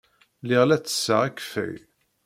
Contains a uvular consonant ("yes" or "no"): yes